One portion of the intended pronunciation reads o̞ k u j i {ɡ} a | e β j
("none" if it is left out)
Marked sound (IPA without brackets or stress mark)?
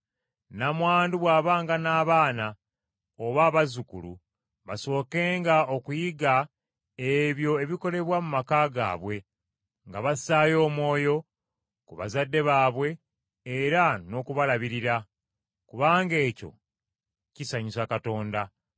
ɡ